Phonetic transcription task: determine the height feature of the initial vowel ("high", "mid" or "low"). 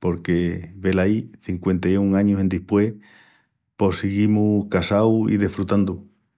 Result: mid